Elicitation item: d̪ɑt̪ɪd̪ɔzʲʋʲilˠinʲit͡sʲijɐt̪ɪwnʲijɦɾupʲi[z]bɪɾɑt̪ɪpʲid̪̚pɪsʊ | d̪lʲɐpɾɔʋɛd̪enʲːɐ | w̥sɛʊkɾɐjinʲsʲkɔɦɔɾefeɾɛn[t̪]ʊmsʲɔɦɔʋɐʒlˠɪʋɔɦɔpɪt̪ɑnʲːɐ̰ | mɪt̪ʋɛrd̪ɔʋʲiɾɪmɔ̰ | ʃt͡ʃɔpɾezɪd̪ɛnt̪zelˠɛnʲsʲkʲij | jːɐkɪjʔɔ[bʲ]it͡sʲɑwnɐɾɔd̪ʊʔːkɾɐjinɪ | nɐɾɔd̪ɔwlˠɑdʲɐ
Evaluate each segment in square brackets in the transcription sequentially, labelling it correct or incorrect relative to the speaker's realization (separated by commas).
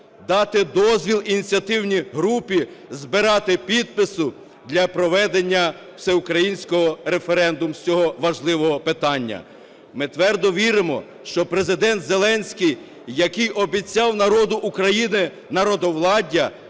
correct, incorrect, correct